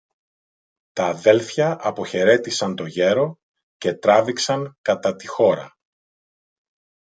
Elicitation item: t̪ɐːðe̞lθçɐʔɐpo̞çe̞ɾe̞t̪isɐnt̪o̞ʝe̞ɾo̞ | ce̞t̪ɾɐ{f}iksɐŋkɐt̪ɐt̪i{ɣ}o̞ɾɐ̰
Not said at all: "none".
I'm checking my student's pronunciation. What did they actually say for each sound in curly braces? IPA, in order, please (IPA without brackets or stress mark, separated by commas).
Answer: v, x